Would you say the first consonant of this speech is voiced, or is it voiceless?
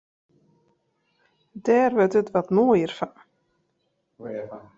voiced